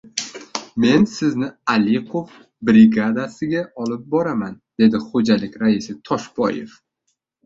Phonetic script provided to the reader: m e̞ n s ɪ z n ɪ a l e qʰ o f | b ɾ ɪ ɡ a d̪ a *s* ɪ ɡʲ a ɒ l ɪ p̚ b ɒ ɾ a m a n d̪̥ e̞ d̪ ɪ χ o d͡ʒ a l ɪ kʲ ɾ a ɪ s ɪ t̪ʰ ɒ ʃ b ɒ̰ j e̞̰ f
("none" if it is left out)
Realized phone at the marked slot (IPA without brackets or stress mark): s